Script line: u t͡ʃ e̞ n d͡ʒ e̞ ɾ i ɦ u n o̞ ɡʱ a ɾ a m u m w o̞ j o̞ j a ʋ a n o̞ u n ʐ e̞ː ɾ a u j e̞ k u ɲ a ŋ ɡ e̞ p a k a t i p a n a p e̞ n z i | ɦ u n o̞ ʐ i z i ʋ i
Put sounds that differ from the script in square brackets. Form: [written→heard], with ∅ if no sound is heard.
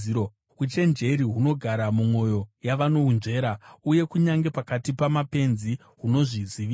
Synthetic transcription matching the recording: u t͡ʃ e̞ n d͡ʒ e̞ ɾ i ɦ u n o̞ ɡʱ a ɾ a m u m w o̞ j o̞ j a ʋ a n o̞ u n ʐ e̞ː ɾ a u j e̞ k u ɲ a ŋ ɡ e̞ p a k a t i p a [n→m] a p e̞ n z i | ɦ u n o̞ ʐ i z i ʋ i